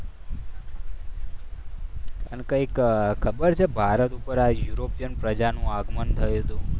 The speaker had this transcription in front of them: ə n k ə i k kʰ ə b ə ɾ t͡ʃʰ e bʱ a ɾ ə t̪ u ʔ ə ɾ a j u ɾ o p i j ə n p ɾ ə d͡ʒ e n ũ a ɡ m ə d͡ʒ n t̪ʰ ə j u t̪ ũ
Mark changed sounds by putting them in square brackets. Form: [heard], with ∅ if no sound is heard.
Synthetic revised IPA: ə n k ə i k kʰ ə b ə ɾ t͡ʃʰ e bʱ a ɾ ə t̪ u [p] ə ɾ a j u ɾ o p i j ə n p ɾ ə d͡ʒ [a] n ũ a ɡ m ə [∅] n t̪ʰ ə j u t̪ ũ

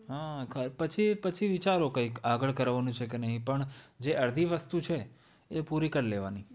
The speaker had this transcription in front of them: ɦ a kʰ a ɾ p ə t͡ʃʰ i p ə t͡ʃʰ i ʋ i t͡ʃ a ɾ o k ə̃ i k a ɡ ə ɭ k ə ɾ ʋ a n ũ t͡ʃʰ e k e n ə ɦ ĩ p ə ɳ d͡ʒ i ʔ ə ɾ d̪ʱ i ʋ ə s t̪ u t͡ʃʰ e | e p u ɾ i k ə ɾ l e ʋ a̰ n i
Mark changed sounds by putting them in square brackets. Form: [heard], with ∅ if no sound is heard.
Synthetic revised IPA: ɦ a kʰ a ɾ p ə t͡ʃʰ i p ə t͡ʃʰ i ʋ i t͡ʃ a ɾ o k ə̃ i k a ɡ ə ɭ k ə ɾ ʋ a n ũ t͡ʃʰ e k e n ə ɦ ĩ p ə ɳ d͡ʒ [e] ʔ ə ɾ d̪ʱ i ʋ ə s t̪ u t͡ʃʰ e | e p u ɾ i k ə ɾ l e ʋ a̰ n i

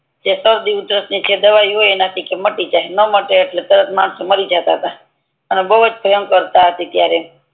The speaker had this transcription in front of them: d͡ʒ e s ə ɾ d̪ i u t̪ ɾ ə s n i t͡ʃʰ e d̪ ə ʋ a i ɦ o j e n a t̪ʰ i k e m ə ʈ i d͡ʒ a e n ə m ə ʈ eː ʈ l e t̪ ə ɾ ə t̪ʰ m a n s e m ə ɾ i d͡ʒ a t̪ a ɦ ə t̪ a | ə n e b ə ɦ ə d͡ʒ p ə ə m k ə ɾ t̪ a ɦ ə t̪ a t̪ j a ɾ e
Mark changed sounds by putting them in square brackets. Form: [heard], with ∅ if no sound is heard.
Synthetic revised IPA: d͡ʒ e s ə ɾ d̪ i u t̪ ɾ ə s n i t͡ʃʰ e d̪ ə ʋ a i ɦ o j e n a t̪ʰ i k e m ə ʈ i d͡ʒ a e n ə m ə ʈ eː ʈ l e t̪ ə ɾ ə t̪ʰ m a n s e m ə ɾ i d͡ʒ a t̪ a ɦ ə t̪ a | ə n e b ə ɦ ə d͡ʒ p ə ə m k ə ɾ t̪ a ɦ ə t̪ [i] t̪ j a ɾ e

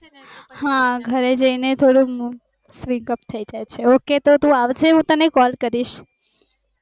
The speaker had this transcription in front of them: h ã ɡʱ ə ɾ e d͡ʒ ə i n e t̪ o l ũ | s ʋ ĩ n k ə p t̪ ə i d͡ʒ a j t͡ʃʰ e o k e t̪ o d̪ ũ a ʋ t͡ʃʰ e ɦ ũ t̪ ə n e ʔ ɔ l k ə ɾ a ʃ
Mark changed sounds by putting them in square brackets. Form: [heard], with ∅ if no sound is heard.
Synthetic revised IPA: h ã ɡʱ ə ɾ e d͡ʒ ə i n e [t̪ʰ] o [ɽ] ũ | s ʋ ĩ [ŋ] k ə p [t̪ʰ] ə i d͡ʒ a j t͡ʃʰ e o k e t̪ o [t̪] ũ a ʋ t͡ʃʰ e ɦ ũ t̪ ə n e [k] ɔ l k ə ɾ [i] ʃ

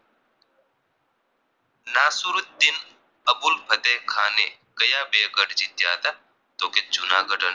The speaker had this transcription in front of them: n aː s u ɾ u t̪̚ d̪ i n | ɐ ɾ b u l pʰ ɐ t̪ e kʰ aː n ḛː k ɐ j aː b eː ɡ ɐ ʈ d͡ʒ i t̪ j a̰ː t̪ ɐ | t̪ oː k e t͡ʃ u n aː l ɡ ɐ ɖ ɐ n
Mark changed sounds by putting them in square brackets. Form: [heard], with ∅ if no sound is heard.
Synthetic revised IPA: n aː s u ɾ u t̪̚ d̪ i n | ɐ [∅] b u l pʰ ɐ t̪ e kʰ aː n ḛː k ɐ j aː b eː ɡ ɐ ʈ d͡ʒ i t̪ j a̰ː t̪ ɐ | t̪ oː k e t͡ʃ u n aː [∅] ɡ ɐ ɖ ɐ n

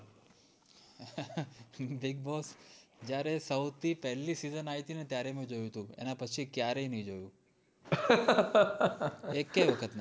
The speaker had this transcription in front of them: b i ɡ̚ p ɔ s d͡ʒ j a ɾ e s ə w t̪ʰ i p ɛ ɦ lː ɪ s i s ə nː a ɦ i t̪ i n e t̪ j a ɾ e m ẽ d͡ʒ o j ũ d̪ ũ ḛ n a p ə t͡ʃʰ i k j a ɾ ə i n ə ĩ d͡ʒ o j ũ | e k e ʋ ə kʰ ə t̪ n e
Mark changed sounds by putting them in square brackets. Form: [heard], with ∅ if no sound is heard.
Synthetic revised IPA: b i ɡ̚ [b] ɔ s d͡ʒ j a ɾ e s ə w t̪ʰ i p ɛ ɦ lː [i] s i [z] ə [n] a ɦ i t̪ i n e t̪ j a ɾ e m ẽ d͡ʒ o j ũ [t̪] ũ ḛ n a p ə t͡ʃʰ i k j a ɾ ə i n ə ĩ d͡ʒ o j ũ | e k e ʋ ə kʰ ə t̪ n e

